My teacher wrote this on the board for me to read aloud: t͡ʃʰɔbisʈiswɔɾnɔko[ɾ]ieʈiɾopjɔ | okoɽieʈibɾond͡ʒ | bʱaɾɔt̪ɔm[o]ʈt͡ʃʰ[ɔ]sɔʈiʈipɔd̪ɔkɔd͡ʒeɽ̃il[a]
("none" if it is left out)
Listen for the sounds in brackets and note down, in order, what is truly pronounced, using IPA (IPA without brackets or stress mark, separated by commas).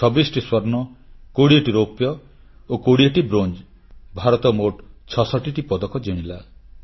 ɽ, o, ɔ, a